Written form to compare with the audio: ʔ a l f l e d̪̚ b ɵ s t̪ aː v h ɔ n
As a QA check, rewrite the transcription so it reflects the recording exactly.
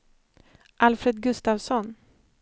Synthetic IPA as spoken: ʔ a l f ɾ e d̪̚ ɡ ɵ s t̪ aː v s ɔ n

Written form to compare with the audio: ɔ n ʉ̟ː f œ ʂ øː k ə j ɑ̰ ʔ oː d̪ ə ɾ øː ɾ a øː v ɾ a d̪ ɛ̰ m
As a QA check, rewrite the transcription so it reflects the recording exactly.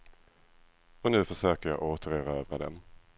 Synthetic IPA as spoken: ɔ n ʉ̟ː f œ ʂ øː k ə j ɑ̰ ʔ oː t̪ ə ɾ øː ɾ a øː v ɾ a d̪ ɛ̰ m

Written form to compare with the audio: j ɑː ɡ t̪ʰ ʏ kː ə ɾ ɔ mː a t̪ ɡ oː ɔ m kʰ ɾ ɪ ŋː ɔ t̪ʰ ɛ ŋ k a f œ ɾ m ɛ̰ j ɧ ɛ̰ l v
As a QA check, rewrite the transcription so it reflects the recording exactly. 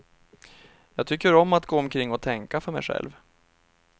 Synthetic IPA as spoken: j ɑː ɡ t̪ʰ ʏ kː ə ɾ ɔ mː a t̪ ɡ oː ɔ m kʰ ɾ ɪ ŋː ɔ t̪ʰ ɛ ŋ k a f œ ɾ m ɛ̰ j ɧ ɛ̰ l v

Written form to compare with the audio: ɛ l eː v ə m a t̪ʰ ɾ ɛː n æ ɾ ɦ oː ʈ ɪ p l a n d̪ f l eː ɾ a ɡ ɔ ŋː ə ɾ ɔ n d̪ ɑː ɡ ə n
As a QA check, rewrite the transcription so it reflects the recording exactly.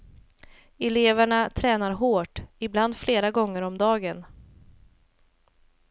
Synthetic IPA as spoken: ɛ l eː v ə ɳ a t̪ʰ ɾ ɛː n a ɾ ɦ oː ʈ ɪ b l a n d̪ f l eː ɾ a ɡ ɔ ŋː ə ɾ ɔ m d̪ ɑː ɡ ə n

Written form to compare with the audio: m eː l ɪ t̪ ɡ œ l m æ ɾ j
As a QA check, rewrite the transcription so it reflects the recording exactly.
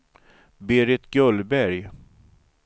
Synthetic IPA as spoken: b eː ɾ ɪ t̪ ɡ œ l b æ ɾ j

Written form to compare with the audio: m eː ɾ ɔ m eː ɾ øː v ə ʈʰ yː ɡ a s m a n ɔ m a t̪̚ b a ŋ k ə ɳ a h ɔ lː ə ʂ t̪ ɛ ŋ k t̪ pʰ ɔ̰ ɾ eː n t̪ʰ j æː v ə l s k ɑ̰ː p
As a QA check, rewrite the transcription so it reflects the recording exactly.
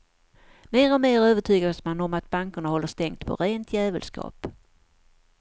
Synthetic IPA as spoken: m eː ɾ ɔ m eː ɾ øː v ə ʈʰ yː ɡ a s m a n ɔ m a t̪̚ b a ŋ k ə ɳ a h ɔ lː ə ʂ t̪ ɛ ŋ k t̪ pʰ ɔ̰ ɾ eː n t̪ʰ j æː v ə l s k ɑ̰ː p

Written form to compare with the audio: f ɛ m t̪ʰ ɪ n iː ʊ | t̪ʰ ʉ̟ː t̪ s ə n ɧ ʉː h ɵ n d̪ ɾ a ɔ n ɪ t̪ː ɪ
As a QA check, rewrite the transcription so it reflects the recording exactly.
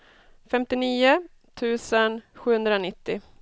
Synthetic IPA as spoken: f ɛ m t̪ ɪ n iː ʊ | t̪ʰ ʉ̟ː s ə n ɧ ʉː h ɵ n d̪ ɾ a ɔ n ɪ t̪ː ɪ

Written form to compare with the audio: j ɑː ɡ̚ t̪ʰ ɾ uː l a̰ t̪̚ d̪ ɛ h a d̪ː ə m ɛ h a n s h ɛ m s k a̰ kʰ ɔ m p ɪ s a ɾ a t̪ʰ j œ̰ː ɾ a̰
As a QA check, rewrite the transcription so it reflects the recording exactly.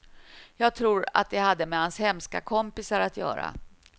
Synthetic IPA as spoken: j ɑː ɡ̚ t̪ʰ ɾ uː ɾ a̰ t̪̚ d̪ ɛ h a d̪ː ə m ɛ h a n s h ɛ m s k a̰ kʰ ɔ m p ɪ s a ɾ a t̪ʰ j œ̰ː ɾ a̰

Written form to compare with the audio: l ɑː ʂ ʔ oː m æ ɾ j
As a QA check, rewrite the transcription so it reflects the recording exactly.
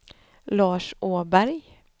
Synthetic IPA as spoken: l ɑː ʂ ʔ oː b æ ɾ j

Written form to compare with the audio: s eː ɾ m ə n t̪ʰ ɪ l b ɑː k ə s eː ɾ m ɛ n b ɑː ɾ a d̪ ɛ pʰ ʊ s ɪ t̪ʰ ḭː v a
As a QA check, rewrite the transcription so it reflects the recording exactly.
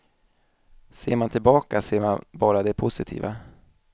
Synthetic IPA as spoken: s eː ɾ m a n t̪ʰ ɪ l b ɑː k a s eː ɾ m a n b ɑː ɾ a d̪ ɛ pʰ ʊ s ɪ t̪ʰ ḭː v a

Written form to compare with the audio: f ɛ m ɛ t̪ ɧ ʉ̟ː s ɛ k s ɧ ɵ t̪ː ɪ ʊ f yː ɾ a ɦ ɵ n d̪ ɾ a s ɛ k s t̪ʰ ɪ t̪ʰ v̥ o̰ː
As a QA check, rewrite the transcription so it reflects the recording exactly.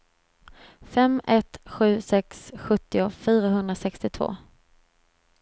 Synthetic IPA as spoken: f ɛ m ɛ t̪ ɧ ʉ̟ː s ɛ k s ɧ ɵ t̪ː ɪ ʊ f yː ɾ a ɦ ɵ n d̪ ɾ a s ɛ k s t̪ ɪ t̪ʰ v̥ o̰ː

